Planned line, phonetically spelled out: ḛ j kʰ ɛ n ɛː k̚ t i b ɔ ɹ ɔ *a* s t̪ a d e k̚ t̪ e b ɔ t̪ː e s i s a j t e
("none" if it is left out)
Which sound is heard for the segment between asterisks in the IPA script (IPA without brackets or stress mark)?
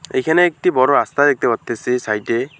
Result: a